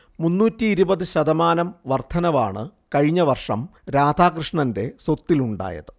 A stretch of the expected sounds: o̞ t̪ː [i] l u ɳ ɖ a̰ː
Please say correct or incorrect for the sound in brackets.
correct